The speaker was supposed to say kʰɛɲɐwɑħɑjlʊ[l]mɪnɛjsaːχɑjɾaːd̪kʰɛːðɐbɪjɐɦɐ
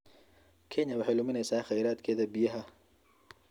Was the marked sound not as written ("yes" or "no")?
yes